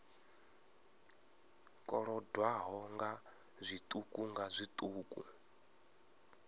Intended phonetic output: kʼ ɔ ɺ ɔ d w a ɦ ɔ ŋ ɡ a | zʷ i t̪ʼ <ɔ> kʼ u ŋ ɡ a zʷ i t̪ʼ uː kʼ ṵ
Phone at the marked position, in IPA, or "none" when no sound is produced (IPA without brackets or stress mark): u